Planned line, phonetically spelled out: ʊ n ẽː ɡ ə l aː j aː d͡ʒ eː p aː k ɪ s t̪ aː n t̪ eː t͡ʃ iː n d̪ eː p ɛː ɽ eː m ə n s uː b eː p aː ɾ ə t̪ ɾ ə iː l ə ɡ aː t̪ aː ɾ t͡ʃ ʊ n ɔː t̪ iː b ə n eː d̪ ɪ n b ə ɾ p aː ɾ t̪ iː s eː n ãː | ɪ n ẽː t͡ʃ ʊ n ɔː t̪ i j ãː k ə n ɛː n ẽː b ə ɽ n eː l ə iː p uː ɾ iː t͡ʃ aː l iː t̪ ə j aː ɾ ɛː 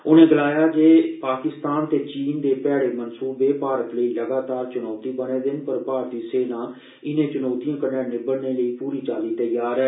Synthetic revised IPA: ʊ n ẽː ɡ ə l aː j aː d͡ʒ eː p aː k ɪ s t̪ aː n t̪ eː t͡ʃ iː n d̪ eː p ɛː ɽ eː m ə n s uː b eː p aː ɾ ə t̪ l ə iː l ə ɡ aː t̪ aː ɾ t͡ʃ ʊ n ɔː t̪ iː b ə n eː d̪ ɪ n p ə ɾ p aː ɾ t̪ iː s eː n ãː | ɪ n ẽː t͡ʃ ʊ n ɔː t̪ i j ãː k ə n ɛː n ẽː b ə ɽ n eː l ə iː p uː ɾ iː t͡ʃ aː l iː t̪ ə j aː ɾ ɛː